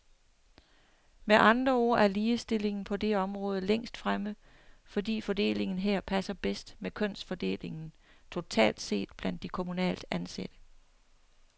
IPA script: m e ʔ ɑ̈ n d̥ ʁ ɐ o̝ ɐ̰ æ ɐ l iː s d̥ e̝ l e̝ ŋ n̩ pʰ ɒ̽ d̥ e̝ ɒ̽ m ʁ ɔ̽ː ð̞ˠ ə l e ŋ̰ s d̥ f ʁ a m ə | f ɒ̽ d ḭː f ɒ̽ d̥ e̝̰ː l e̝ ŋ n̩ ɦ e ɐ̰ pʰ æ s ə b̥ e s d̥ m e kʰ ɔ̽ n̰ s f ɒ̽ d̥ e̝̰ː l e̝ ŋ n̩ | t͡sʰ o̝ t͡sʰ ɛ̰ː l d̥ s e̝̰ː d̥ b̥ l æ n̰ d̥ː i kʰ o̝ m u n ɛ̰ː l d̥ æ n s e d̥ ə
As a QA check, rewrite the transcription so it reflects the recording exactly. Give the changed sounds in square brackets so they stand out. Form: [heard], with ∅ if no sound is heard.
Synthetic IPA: m e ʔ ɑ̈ n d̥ ʁ ɐ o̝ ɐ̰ æ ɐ l iː s d̥ e̝ l e̝ ŋ n̩ pʰ ɒ̽ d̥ e̝ ɒ̽ m ʁ ɔ̽ː ð̞ˠ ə l e ŋ̰ s d̥ f ʁ a m ə | f ɒ̽ d ḭː f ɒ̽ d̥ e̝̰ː l e̝ ŋ n̩ ɦ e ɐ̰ pʰ æ s [ɐ] b̥ e s d̥ m e kʰ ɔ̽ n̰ s f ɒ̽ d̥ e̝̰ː l e̝ ŋ n̩ | t͡sʰ o̝ t͡sʰ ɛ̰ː l d̥ s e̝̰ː d̥ b̥ l æ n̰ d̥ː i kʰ o̝ m u n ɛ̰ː l d̥ æ n s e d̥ ə

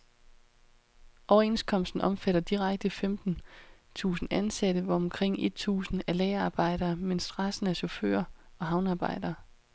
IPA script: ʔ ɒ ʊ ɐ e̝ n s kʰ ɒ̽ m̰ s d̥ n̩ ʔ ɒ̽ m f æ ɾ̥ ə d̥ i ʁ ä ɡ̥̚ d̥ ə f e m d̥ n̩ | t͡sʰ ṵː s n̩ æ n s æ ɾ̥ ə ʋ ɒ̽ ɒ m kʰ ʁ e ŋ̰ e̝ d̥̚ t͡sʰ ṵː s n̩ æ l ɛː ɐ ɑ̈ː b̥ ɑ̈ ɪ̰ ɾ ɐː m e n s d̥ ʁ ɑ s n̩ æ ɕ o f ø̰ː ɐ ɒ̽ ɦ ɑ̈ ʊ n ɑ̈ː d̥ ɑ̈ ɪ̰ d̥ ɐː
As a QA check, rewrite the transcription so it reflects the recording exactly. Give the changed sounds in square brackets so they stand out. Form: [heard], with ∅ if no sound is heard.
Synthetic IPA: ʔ ɒ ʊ ɐ e̝ n s kʰ ɒ̽ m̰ s d̥ n̩ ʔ ɒ̽ m f æ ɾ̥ [ɐ] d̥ i ʁ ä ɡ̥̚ d̥ ə f e m d̥ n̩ | t͡sʰ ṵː s n̩ æ n s æ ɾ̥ ə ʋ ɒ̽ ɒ m kʰ ʁ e ŋ̰ e̝ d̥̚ t͡sʰ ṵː s n̩ æ l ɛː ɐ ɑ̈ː b̥ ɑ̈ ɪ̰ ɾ ɐː m e n s d̥ ʁ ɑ s n̩ æ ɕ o f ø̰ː ɐ ɒ̽ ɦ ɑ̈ ʊ n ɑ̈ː [b̥] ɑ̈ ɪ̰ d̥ ɐː

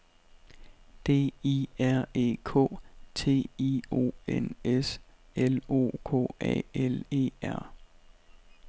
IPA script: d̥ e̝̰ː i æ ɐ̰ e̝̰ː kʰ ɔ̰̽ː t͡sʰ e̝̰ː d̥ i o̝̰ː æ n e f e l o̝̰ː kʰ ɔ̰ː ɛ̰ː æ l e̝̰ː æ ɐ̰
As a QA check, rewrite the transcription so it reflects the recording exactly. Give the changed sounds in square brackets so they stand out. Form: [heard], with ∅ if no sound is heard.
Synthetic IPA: d̥ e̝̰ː i æ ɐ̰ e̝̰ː kʰ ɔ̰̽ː t͡sʰ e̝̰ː [∅] i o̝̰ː [e] n e [s] e l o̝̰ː kʰ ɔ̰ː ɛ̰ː [e] l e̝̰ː æ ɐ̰

